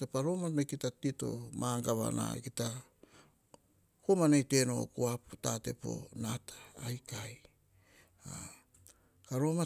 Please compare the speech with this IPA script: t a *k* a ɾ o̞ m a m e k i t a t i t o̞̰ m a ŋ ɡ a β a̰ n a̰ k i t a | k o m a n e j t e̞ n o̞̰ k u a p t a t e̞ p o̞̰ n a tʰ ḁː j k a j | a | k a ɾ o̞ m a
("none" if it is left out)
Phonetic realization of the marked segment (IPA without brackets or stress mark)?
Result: p